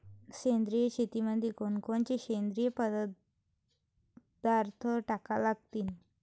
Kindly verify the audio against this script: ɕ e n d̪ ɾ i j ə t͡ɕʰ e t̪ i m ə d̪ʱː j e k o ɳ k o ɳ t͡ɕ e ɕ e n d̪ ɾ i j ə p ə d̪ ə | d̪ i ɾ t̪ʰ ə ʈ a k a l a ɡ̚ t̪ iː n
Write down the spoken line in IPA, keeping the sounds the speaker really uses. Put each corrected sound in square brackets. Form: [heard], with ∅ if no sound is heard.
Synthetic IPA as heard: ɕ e n d̪ ɾ i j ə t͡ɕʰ e t̪ i m ə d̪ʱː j e k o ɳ k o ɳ t͡ɕ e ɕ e n d̪ ɾ i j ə p ə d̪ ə | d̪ [a] ɾ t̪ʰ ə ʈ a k a l a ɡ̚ t̪ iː n